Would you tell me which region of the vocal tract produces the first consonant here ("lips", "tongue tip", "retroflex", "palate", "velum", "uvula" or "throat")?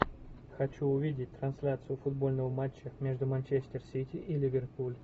velum